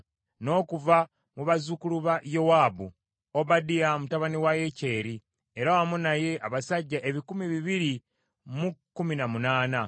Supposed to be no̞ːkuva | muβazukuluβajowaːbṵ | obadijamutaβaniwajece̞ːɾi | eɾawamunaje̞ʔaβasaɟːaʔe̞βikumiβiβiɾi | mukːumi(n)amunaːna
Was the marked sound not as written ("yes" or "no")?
no